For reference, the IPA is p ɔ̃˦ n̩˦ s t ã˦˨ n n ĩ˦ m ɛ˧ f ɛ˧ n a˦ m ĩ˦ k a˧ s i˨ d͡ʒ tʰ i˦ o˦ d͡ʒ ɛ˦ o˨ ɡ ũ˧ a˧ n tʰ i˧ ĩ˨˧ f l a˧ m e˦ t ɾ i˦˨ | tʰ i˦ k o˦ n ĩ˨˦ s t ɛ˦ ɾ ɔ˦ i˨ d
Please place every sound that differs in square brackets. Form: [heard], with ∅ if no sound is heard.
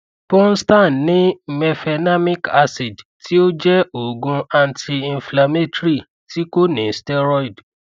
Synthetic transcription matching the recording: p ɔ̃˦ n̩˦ s t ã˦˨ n n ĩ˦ m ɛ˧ f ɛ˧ n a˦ m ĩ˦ k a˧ s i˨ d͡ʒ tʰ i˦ o˦ d͡ʒ ɛ˦ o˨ ɡ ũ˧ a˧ n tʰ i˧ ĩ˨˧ f l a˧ m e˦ t ɾ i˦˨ | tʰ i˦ k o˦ n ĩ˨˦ s t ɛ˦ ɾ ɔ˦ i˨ d